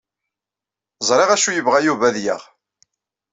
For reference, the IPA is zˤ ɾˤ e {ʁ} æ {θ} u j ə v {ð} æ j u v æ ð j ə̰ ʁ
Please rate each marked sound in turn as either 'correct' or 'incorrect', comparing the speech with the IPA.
correct, incorrect, incorrect

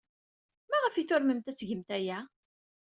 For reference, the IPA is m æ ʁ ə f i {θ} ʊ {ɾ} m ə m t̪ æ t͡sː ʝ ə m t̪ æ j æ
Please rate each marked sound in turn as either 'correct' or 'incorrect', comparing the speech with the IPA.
correct, correct

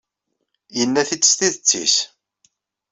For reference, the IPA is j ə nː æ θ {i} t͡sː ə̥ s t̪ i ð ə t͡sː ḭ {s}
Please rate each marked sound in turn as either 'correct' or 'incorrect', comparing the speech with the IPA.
correct, correct

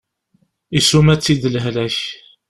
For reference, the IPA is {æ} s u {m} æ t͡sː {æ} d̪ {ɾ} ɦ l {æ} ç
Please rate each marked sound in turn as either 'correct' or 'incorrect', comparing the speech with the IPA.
incorrect, correct, incorrect, incorrect, correct

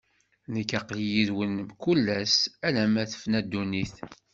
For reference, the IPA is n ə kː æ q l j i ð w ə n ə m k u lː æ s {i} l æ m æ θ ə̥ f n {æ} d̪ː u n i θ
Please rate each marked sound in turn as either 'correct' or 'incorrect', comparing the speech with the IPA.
incorrect, correct

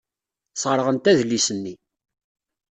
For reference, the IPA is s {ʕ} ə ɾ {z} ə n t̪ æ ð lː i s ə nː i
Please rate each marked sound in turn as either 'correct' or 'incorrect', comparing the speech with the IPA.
incorrect, incorrect

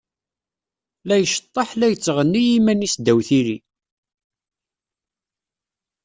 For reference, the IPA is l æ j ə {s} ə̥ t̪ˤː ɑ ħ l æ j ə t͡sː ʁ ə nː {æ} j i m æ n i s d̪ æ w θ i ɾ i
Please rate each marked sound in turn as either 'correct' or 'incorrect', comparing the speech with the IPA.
incorrect, incorrect

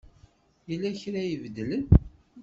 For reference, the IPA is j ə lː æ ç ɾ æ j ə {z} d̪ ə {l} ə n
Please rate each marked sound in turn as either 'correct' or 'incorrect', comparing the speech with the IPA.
incorrect, correct

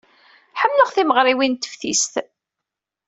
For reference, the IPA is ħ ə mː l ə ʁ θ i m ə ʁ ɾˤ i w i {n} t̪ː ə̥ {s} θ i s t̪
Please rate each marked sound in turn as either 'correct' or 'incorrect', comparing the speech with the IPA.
correct, incorrect

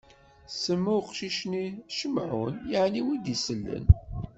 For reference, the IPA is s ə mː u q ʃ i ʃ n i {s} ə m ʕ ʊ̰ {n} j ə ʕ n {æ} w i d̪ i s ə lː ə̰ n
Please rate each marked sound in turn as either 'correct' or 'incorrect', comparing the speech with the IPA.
incorrect, correct, incorrect

